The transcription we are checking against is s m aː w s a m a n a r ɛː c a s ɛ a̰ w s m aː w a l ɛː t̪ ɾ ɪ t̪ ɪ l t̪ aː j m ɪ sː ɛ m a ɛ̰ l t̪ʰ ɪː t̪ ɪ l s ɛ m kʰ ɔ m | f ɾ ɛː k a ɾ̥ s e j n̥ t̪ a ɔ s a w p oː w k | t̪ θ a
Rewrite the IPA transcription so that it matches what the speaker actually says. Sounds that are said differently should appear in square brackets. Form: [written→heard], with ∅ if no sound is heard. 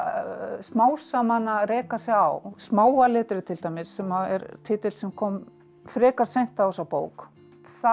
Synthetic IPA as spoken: s m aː w s a m a n a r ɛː [c→k] a s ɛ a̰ w s m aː w a l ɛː t̪ ɾ ɪ [t̪→t̪ʰ] ɪ l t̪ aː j m ɪ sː ɛ m a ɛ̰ [l→ɾ] t̪ʰ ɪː t̪ ɪ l s ɛ m kʰ ɔ m | f ɾ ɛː k a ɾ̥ s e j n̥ t̪ a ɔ s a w p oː w k | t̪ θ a